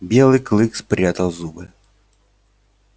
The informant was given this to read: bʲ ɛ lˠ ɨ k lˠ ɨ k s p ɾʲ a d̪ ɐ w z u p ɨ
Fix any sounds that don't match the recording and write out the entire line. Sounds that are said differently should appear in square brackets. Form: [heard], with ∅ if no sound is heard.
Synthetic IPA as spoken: bʲ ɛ lˠ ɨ k lˠ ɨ k s p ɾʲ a [t̪] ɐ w z u [b] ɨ